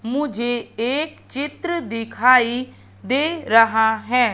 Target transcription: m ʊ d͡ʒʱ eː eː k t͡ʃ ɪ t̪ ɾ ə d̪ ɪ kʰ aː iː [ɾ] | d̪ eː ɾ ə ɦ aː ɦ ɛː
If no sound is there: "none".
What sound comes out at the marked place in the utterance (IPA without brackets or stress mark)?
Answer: none